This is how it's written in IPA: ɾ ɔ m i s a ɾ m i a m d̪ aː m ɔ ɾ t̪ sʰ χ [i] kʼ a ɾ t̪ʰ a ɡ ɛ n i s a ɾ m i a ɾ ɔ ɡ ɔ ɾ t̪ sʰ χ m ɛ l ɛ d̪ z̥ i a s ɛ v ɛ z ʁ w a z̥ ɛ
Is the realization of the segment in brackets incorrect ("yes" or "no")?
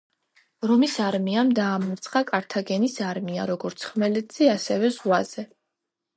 yes